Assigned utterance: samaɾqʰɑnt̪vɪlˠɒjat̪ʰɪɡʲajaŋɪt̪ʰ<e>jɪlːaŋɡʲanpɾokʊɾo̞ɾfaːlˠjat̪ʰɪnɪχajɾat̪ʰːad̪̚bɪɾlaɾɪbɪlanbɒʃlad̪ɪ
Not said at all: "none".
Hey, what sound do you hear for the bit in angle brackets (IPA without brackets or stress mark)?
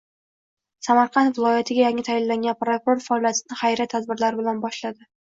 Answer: a